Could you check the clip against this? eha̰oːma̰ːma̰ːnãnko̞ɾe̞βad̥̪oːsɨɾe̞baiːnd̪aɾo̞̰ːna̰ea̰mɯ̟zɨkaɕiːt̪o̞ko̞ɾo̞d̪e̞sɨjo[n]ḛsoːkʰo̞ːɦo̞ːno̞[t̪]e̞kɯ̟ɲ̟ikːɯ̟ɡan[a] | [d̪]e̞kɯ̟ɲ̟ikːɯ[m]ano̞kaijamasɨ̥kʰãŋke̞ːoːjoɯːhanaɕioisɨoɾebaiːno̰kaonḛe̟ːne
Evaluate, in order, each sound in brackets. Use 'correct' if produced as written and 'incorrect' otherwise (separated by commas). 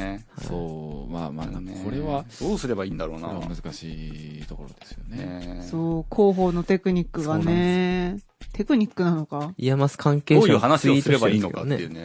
correct, correct, incorrect, incorrect, incorrect